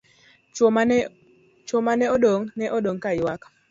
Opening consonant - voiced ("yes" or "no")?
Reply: no